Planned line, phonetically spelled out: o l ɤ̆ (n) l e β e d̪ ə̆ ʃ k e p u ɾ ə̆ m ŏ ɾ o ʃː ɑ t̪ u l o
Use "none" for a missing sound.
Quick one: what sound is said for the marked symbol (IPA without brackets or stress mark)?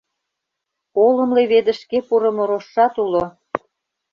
m